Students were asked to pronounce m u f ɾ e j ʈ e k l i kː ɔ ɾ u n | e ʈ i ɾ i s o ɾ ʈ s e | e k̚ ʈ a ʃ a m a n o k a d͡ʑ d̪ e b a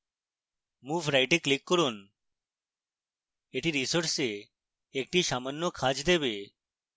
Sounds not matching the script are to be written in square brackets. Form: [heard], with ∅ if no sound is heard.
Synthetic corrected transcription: m u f ɾ [a] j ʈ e k l i kː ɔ ɾ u n | e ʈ i ɾ i s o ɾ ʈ s e | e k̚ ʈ [i] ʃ a m a [nː] o [kʰ] a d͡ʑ d̪ e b [e]